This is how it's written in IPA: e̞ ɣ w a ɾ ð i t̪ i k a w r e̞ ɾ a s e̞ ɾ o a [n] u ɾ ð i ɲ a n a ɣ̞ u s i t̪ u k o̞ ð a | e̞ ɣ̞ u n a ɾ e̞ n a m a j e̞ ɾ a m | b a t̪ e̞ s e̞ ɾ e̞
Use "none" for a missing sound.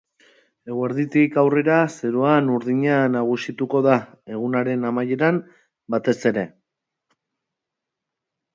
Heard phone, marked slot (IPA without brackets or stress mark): n